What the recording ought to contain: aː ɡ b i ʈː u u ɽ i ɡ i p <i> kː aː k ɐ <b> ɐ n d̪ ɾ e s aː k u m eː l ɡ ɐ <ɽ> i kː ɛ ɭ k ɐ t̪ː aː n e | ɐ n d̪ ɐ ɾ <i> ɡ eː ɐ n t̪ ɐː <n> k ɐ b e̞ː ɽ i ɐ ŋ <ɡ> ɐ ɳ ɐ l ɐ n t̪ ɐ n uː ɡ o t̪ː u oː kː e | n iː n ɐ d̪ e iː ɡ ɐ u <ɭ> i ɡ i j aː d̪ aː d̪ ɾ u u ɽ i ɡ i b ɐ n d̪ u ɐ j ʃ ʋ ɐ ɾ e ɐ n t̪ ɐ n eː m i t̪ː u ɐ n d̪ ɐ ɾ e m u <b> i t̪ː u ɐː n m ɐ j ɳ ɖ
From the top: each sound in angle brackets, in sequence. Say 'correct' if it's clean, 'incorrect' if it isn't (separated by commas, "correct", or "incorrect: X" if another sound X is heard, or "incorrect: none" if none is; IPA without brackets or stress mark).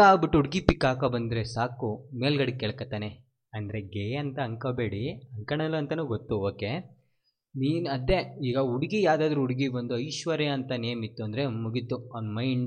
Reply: correct, correct, correct, incorrect: e, incorrect: ŋ, incorrect: k, incorrect: ɽ, incorrect: ɡ